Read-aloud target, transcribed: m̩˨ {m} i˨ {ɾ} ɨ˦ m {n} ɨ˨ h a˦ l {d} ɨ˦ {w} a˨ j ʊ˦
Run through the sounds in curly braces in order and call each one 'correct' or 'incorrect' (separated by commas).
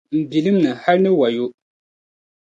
incorrect, incorrect, correct, incorrect, correct